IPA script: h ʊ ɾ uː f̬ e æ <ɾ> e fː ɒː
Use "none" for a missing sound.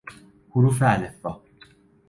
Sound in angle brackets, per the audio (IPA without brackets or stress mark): l